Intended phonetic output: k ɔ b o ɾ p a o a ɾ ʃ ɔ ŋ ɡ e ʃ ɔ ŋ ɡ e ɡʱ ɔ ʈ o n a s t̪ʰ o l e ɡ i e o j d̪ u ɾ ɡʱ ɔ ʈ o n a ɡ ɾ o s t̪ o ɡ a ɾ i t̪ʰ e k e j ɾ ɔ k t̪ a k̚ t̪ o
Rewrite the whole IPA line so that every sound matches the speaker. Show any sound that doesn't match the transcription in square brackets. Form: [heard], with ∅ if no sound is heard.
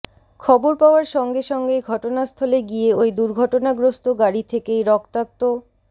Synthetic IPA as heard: [kʰ] ɔ b o ɾ p a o a ɾ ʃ ɔ ŋ ɡ e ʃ ɔ ŋ ɡ e ɡʱ ɔ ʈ o n a s t̪ʰ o l e ɡ i e o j d̪ u ɾ ɡʱ ɔ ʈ o n a ɡ ɾ o s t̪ o ɡ a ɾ i t̪ʰ e k e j ɾ ɔ k t̪ a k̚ t̪ o